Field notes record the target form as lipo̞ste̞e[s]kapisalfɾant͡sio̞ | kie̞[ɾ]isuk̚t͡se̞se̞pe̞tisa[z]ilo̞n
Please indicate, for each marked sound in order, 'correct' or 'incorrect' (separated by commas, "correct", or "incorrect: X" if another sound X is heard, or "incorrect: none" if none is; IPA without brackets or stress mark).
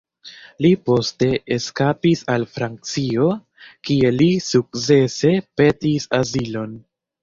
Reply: correct, incorrect: l, correct